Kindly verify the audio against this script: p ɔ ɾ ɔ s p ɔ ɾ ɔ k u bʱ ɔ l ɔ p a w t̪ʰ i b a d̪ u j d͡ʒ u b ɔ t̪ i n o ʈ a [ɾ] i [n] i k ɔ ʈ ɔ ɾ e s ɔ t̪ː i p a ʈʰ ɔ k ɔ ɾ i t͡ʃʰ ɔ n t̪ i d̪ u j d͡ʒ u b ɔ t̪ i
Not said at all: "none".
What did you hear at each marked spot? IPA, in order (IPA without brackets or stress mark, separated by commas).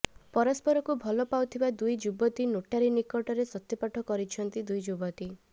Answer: ɾ, n